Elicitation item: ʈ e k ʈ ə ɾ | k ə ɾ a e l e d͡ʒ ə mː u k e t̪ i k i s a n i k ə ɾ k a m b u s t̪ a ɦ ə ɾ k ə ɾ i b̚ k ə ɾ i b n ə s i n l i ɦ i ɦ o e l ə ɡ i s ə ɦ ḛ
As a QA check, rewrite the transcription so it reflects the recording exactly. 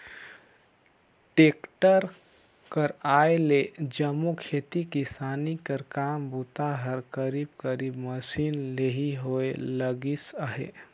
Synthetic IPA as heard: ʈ e k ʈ ə ɾ | k ə ɾ a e l e d͡ʒ ə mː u kʰ e t̪ i k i s a n i k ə ɾ k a m b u t̪ a ɦ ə ɾ k ə ɾ i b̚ k ə ɾ i b m ə s i n l e ɦ i ɦ o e l ə ɡ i s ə ɦ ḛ